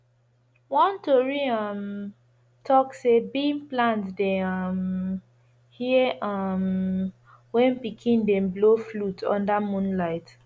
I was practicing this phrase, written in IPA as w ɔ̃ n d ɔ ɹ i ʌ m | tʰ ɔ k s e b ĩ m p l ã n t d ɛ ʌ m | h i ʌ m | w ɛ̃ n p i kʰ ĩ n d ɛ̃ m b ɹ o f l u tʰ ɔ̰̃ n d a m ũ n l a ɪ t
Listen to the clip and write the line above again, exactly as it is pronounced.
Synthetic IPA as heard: w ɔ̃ n t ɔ ɹ i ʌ m | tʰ ɔ k s e b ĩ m p l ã n t d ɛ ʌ m | h i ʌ m | w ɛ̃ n p i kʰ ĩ n d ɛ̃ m b l o f l u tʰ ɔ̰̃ n d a m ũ n l a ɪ t